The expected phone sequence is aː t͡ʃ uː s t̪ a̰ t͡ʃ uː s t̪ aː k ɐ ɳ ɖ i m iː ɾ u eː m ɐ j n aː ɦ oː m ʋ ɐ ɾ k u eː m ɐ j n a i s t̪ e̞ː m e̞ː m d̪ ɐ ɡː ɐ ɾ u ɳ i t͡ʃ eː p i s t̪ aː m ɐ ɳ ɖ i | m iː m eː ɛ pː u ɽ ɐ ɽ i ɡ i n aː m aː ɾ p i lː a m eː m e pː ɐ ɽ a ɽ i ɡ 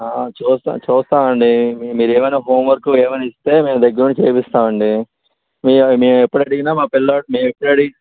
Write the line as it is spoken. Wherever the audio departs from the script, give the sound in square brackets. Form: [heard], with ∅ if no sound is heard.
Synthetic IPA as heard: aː t͡ʃ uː s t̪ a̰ t͡ʃ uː s t̪ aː [∅] ɐ ɳ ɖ i m iː ɾ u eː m ɐ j n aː ɦ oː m ʋ ɐ ɾ k u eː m ɐ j n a i s t̪ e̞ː m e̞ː m d̪ ɐ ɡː ɐ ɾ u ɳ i t͡ʃ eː p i s t̪ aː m ɐ ɳ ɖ i | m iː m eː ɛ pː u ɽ ɐ ɽ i ɡ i n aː m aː [∅] p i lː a m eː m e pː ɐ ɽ [ɐ] ɽ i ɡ